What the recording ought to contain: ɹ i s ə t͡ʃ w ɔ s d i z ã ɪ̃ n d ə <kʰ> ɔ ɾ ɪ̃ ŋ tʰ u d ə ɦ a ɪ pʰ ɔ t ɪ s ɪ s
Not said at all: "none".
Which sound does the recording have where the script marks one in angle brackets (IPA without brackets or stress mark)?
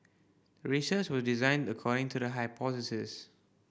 kʰ